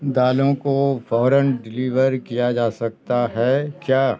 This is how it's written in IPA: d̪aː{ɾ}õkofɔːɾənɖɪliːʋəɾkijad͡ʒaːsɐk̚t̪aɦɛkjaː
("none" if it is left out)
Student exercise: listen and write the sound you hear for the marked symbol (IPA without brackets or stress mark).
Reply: l